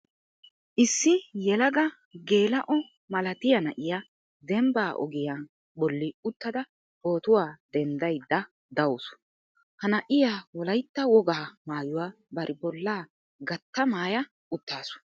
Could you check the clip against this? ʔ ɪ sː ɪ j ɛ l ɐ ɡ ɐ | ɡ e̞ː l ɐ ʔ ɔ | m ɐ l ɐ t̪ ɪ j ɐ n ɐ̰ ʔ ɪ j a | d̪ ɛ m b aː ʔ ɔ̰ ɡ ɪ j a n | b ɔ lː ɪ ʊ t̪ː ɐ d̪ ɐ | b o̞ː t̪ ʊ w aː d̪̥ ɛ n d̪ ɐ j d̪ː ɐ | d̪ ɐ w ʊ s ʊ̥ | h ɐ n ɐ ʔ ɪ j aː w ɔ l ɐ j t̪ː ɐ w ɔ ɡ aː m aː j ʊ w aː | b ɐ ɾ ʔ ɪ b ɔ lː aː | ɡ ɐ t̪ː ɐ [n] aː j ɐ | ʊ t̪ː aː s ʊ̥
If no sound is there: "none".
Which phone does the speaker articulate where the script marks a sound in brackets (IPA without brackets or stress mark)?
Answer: m